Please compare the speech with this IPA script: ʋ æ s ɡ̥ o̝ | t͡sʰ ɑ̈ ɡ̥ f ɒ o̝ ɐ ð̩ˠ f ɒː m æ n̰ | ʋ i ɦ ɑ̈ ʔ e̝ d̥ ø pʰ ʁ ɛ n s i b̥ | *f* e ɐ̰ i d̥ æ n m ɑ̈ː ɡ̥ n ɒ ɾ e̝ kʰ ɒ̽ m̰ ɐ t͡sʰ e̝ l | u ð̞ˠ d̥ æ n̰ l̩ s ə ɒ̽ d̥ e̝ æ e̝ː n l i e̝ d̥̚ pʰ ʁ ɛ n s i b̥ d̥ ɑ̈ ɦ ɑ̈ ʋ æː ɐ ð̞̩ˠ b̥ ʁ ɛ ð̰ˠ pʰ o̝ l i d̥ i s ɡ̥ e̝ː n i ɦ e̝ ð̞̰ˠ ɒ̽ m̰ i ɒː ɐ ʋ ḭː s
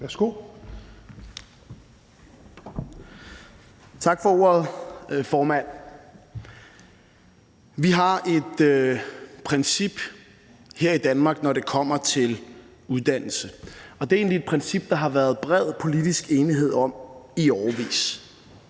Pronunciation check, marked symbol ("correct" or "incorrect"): incorrect